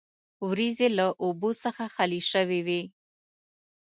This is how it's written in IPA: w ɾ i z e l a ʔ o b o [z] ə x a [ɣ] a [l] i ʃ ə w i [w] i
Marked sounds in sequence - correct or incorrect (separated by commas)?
incorrect, incorrect, correct, correct